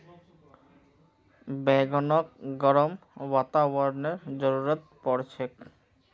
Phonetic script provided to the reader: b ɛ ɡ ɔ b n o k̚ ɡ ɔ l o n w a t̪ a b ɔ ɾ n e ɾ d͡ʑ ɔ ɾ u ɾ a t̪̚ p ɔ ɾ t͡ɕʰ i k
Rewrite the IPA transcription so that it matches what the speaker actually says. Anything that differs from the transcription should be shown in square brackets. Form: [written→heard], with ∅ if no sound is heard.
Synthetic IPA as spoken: b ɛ ɡ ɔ [b→∅] n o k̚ ɡ ɔ [l→ɾ] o [n→m] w a t̪ a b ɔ ɾ n e ɾ d͡ʑ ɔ ɾ u ɾ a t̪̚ p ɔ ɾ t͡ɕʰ [i→e] k